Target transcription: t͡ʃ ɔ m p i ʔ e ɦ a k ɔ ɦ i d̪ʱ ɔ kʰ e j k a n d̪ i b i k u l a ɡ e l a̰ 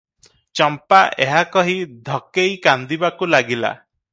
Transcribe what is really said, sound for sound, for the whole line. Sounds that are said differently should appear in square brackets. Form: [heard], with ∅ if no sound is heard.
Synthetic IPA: t͡ʃ ɔ m p [a] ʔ e ɦ a k ɔ ɦ i d̪ʱ ɔ [k] e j k a n d̪ i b [a] k u l a ɡ [i] l a̰